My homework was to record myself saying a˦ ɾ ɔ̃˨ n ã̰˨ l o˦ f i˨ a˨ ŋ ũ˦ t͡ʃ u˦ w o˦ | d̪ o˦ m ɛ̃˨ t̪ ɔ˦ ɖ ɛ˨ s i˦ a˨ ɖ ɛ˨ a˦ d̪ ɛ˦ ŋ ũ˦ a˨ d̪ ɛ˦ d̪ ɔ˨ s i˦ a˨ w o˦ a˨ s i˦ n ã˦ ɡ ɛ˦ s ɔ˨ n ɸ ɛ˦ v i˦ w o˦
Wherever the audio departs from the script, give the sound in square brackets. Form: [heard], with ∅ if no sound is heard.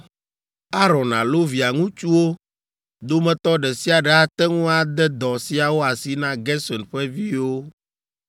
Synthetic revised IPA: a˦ ɾ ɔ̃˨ n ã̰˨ l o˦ [v] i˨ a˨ ŋ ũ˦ t͡ʃ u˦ w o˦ | d̪ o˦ m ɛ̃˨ t̪ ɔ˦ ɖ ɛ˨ s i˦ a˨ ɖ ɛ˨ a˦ [t̪] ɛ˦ ŋ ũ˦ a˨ d̪ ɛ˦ d̪ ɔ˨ s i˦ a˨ w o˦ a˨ s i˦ n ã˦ ɡ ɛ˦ s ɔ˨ n ɸ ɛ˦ v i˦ w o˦